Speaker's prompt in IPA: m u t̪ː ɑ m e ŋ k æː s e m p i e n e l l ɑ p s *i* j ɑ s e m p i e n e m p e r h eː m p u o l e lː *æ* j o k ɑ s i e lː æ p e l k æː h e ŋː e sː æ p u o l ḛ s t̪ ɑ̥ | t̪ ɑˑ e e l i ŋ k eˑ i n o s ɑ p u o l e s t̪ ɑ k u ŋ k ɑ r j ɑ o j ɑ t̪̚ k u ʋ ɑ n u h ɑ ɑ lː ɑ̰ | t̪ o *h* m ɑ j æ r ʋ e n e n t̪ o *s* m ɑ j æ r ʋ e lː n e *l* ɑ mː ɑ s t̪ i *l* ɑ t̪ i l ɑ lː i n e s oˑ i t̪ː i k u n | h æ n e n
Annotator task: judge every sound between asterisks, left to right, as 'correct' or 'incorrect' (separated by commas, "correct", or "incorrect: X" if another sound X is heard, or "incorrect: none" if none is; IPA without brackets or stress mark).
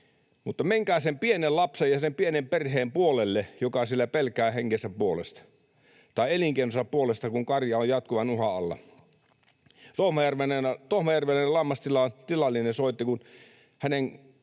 incorrect: e, incorrect: e, correct, incorrect: h, correct, correct